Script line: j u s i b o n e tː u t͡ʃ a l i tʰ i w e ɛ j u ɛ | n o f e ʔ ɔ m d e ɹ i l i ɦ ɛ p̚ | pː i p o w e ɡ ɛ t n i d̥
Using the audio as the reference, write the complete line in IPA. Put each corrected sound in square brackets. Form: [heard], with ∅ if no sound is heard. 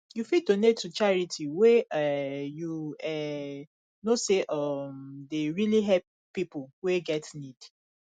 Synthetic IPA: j u [f] i [d] o n e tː u t͡ʃ a [ɹ] i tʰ i w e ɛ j u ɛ | n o [s] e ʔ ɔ m d e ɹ i l i ɦ ɛ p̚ | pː i p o w e ɡ ɛ t n i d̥